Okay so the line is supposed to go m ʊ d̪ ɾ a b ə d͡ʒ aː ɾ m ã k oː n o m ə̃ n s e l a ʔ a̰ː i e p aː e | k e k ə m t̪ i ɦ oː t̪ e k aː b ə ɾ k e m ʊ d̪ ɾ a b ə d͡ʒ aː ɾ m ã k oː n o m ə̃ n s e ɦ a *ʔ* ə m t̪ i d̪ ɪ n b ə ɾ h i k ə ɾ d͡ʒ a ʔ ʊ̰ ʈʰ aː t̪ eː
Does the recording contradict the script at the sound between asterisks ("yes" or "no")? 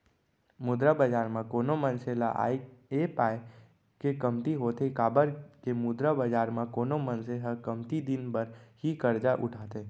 yes